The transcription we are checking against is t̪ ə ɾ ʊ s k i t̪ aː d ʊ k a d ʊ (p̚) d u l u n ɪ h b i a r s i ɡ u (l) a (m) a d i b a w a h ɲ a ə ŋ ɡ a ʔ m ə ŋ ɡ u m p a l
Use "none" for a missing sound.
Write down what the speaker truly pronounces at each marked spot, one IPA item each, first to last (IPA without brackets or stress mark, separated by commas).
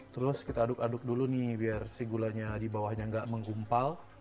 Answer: k̚, l, ɲ